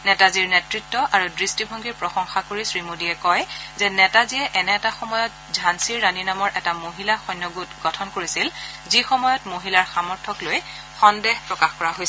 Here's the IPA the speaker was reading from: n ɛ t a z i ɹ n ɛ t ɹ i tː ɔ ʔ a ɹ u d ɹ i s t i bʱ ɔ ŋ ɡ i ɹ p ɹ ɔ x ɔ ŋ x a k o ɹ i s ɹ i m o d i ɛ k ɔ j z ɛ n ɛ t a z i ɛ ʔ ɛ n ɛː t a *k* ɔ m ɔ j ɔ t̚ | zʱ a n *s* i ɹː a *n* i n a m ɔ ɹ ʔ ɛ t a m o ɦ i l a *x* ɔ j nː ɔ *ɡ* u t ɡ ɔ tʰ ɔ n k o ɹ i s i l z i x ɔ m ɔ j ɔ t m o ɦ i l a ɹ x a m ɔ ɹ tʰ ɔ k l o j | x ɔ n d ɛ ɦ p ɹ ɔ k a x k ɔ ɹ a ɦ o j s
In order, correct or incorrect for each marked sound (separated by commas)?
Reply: incorrect, correct, correct, correct, correct